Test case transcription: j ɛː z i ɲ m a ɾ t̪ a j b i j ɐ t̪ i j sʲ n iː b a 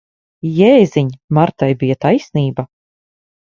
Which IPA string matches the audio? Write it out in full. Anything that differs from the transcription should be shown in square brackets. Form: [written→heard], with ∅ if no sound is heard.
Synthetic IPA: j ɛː z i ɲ m a ɾ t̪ a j b i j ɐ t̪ [i→a] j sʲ n iː b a